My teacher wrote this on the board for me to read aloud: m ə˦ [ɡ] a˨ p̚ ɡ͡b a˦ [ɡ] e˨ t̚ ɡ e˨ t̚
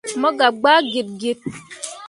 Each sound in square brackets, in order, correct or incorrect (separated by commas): correct, correct